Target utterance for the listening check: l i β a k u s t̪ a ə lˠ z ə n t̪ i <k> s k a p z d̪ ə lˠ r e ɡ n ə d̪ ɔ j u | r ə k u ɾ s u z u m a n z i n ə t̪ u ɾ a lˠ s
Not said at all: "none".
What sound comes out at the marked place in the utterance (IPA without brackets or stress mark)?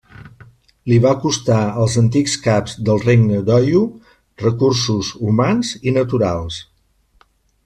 k